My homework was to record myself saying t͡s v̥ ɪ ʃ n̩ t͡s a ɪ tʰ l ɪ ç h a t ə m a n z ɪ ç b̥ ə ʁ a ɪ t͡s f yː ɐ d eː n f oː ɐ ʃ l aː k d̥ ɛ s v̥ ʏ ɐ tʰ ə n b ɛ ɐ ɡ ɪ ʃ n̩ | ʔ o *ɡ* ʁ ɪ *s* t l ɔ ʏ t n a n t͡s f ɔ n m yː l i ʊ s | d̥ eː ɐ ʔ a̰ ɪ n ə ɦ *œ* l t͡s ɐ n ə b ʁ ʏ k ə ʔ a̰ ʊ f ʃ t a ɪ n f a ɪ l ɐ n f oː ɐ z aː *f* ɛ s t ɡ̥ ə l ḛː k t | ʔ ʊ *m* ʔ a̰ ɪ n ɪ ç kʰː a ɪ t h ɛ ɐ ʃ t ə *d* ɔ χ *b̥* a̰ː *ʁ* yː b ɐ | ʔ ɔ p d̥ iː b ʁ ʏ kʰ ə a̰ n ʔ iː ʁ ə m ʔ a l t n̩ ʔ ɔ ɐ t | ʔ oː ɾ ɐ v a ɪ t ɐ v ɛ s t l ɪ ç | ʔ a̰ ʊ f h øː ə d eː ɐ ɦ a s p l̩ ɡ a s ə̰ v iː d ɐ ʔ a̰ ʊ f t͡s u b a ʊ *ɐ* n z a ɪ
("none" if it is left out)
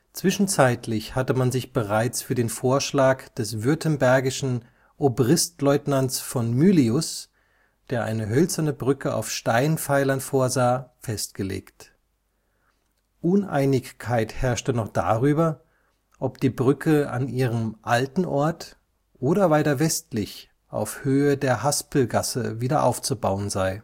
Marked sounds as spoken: b, s, œ, f, n, n, d̥, ʁ, ə

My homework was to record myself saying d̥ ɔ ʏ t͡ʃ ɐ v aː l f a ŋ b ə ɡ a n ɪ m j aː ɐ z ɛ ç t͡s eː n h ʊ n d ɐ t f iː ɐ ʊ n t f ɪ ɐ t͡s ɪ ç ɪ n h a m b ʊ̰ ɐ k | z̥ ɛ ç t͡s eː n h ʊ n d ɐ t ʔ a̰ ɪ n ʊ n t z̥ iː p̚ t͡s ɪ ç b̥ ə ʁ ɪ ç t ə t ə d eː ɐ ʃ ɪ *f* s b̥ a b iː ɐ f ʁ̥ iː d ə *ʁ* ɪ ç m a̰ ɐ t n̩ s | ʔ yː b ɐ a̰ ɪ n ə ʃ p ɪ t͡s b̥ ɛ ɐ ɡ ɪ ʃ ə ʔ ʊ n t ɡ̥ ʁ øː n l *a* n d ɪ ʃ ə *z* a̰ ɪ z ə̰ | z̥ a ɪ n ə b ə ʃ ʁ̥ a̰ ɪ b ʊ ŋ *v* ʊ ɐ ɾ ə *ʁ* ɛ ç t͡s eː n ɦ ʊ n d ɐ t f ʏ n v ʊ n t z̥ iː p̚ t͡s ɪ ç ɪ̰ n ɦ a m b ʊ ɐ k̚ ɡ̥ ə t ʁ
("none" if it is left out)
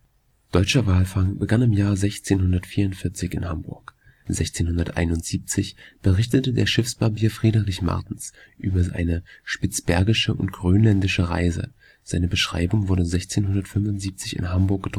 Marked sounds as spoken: f, ʁ, ɛ, ʁ, v, z

